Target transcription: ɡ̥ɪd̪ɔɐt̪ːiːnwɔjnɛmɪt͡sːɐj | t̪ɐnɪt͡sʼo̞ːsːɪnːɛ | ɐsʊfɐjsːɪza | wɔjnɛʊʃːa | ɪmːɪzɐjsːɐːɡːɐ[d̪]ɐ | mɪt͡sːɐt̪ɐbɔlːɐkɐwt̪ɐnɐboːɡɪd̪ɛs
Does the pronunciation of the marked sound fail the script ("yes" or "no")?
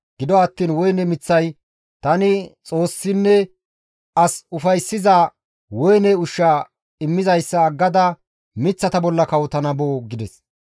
no